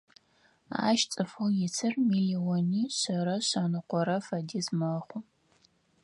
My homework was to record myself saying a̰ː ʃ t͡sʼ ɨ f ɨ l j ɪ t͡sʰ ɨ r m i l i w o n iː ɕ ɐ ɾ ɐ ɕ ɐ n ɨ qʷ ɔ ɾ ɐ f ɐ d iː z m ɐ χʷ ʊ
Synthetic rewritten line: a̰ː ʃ t͡sʼ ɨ f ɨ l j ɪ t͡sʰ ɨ r m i l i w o n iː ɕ ɐ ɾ ɐ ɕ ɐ n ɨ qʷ ɔ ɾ ɐ f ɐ d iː z m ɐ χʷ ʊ